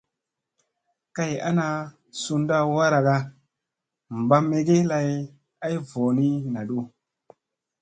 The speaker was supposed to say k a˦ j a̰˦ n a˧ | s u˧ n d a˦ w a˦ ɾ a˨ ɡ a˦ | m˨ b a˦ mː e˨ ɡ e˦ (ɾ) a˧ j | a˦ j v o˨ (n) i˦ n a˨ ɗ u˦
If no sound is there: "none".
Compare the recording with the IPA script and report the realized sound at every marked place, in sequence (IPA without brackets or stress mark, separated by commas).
l, n